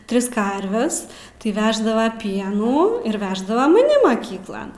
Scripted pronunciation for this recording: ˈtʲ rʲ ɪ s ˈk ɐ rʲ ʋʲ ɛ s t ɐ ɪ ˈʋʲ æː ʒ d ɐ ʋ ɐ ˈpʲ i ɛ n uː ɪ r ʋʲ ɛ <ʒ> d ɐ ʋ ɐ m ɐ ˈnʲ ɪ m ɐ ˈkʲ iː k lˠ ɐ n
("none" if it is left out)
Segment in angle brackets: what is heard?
ʒ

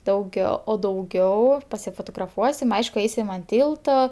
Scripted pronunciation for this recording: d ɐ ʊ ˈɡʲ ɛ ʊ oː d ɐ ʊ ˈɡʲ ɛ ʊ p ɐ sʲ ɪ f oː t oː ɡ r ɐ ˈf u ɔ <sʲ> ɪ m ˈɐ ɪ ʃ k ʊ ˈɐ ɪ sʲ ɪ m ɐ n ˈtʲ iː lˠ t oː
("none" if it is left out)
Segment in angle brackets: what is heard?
sʲ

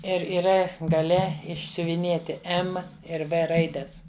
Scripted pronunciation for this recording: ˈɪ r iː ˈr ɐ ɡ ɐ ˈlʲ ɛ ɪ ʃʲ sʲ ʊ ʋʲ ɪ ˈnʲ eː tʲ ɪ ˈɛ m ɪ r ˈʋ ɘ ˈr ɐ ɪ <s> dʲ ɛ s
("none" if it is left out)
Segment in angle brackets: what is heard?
none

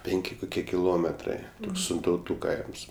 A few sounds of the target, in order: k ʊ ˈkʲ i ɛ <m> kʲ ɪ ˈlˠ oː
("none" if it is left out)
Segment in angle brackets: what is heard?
none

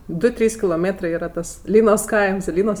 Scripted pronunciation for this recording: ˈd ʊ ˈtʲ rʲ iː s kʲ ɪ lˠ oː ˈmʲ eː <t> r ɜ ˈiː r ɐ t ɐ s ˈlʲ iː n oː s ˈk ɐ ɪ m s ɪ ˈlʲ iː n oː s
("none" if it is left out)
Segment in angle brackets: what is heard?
t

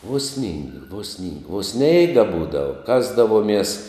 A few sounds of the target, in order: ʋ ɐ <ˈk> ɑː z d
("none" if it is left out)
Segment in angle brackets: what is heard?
k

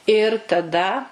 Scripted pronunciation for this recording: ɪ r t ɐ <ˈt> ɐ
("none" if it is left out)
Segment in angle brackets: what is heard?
d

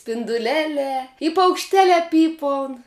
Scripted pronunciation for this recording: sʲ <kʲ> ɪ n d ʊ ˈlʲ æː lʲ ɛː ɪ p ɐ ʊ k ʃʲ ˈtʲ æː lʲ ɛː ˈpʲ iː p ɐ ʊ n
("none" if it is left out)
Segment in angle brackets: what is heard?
pʲ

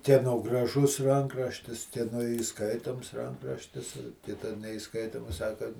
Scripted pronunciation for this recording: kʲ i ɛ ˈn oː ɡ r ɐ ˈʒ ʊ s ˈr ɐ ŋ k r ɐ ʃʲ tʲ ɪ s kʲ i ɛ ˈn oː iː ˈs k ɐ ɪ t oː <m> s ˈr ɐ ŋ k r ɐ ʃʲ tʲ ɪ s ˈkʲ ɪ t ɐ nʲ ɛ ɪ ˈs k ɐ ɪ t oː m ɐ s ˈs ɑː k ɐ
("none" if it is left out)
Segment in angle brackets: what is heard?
m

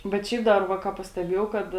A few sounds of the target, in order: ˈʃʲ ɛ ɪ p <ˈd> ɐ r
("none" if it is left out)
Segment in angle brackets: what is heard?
d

